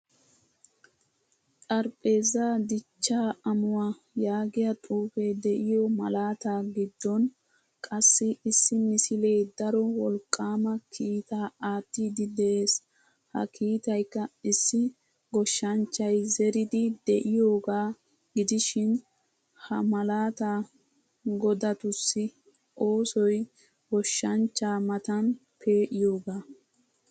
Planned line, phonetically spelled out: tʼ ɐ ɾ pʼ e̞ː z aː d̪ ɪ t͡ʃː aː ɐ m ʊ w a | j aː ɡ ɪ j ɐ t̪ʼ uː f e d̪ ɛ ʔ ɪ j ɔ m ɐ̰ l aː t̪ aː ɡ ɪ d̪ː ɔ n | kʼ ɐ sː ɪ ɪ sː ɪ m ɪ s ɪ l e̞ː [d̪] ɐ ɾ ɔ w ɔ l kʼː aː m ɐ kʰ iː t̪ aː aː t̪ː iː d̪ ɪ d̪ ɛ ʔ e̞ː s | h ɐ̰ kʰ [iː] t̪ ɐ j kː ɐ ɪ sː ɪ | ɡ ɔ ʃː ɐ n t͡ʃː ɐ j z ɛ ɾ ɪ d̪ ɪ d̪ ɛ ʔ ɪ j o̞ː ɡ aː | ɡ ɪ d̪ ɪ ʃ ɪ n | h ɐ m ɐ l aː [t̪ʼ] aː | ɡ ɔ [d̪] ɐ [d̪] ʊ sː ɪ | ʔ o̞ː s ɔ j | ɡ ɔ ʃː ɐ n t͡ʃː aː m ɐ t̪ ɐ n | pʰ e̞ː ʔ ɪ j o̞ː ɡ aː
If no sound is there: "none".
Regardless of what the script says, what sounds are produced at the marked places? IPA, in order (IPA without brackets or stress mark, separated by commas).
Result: d̪, iː, t̪, d̪, t̪